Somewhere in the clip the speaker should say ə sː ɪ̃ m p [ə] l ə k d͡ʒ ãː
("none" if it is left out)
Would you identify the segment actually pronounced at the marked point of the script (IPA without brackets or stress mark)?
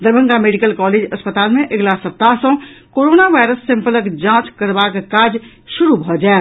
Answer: ə